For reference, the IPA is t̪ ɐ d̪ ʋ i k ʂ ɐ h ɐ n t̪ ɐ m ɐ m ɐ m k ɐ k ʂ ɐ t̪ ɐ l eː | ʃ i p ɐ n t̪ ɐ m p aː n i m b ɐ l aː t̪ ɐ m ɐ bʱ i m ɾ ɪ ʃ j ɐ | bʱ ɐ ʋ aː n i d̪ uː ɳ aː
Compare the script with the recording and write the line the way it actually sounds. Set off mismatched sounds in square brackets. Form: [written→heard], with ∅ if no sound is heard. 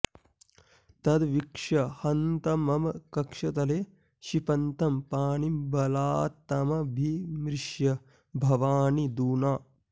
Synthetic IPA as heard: t̪ ɐ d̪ ʋ i k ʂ ɐ h ɐ n t̪ ɐ m ɐ m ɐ [m→∅] k ɐ k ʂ ɐ t̪ ɐ l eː | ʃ i p ɐ n t̪ ɐ m p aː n i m b ɐ l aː t̪ ɐ m ɐ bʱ i m ɾ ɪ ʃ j ɐ | bʱ ɐ ʋ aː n i d̪ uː [ɳ→n] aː